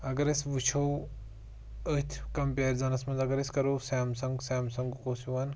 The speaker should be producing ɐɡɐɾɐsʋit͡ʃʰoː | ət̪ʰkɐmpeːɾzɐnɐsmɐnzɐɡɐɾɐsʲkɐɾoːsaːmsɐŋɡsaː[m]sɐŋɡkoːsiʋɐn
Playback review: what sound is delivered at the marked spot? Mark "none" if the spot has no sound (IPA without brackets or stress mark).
m